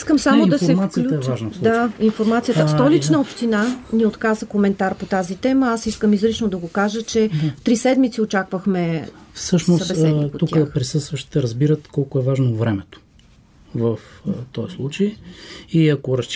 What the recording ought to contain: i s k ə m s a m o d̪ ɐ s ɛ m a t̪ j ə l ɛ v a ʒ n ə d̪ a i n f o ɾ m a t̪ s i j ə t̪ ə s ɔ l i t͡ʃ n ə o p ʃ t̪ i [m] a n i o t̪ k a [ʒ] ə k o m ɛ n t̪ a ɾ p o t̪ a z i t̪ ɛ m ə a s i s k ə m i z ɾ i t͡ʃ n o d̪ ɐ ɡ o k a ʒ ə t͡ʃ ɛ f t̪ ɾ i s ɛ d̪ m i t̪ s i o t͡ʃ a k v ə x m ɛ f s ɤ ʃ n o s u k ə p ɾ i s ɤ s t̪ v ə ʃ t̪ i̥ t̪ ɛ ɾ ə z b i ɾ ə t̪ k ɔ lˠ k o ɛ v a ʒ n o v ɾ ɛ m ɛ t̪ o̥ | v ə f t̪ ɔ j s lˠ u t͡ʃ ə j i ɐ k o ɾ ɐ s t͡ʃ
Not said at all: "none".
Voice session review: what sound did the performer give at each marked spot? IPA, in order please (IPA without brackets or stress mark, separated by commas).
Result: n, z